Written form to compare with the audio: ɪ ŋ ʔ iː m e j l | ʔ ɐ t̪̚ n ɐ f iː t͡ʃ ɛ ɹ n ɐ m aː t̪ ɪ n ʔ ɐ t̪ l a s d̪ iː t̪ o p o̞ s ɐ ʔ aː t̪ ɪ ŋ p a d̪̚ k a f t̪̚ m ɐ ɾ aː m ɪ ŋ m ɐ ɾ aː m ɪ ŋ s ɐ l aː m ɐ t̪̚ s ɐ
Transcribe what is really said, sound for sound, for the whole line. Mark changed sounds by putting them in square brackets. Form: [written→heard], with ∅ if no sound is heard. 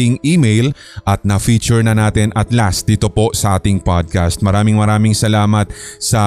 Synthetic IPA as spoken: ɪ ŋ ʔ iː m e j l | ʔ ɐ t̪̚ n ɐ f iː t͡ʃ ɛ ɹ n ɐ [m→n] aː t̪ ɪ n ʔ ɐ t̪ l a s d̪ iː t̪ o p o̞ s ɐ ʔ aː t̪ ɪ ŋ p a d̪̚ k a [f→s] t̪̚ m ɐ ɾ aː m ɪ ŋ m ɐ ɾ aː m ɪ ŋ s ɐ l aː m ɐ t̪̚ s ɐ